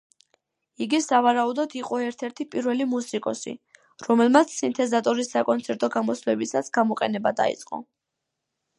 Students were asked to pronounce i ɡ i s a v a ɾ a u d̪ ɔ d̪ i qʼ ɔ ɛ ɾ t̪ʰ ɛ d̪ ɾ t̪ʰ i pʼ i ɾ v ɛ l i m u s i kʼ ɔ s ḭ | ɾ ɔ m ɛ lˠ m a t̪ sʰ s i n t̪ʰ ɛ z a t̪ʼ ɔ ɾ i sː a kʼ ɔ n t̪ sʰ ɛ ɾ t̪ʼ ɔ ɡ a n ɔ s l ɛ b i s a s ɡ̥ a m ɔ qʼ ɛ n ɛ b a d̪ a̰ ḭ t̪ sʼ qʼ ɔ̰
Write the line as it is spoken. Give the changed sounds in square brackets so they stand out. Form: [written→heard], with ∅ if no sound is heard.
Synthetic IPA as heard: i ɡ i s a v a ɾ a u d̪ ɔ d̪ i qʼ ɔ ɛ ɾ t̪ʰ ɛ [d̪→∅] ɾ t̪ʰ i pʼ i ɾ v ɛ l i m u s i kʼ ɔ s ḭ | ɾ ɔ m ɛ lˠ m a t̪ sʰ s i n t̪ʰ ɛ z a t̪ʼ ɔ ɾ i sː a kʼ ɔ n t̪ sʰ ɛ ɾ t̪ʼ ɔ ɡ a [n→m] ɔ s l ɛ b i s a s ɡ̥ a m ɔ qʼ ɛ n ɛ b a d̪ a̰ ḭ t̪ sʼ qʼ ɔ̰